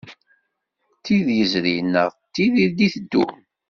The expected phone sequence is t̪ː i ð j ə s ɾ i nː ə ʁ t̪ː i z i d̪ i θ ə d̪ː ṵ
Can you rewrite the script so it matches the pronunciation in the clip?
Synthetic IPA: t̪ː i ð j ə z ɾ i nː ə ʁ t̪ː i ð i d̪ i θ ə d̪ː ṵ